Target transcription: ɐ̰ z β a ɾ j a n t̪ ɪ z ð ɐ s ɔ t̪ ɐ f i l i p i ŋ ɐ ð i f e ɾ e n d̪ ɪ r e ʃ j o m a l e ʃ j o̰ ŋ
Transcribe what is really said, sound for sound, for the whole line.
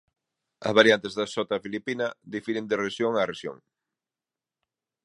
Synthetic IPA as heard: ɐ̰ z β a ɾ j a n t̪ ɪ z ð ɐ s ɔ t̪ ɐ f i l i p i n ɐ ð i f i ɾ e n d̪ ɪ r e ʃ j o ŋ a r e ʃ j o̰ ŋ